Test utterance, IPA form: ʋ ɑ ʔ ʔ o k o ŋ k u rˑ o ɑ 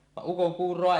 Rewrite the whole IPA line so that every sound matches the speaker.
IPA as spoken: ʋ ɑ ʔ ʔ u k o ŋ k uː rˑ o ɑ